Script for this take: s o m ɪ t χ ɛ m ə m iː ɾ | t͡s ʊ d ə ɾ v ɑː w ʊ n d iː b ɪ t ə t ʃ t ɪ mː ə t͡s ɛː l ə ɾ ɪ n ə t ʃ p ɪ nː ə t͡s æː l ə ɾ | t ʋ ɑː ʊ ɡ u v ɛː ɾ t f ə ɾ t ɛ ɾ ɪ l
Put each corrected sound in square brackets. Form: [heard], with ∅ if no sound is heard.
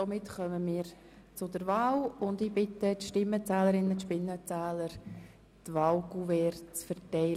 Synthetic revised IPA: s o m ɪ t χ [œ] m ə m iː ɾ | t͡s ʊ d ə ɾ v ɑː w ʊ n d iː b ɪ t ə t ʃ t ɪ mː ə t͡s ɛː l ə ɾ ɪ n ə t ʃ p ɪ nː ə t͡s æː l ə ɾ | t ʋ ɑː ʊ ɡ u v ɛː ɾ [t͡s] f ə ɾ t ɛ [∅] ɪ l